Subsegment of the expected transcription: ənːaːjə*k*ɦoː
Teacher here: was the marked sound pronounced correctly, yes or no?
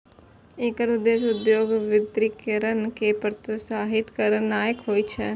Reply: yes